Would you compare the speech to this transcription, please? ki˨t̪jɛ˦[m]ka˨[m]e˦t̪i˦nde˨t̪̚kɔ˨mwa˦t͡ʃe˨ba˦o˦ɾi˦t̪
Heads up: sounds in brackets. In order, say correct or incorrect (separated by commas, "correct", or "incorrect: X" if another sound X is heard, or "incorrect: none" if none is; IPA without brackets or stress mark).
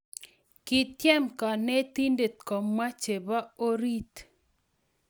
correct, incorrect: n